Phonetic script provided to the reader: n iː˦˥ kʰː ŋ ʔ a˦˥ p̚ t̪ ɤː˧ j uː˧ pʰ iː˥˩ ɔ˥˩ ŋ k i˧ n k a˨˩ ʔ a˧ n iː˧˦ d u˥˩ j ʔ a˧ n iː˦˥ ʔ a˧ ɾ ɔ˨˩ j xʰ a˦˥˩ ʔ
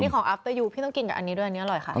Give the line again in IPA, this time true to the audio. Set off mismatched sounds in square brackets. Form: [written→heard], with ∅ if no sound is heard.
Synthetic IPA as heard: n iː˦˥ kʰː ŋ ʔ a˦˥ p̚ t̪ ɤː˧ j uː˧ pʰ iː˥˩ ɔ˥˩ ŋ k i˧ n k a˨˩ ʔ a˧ n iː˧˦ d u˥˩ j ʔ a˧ n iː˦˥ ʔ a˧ ɾ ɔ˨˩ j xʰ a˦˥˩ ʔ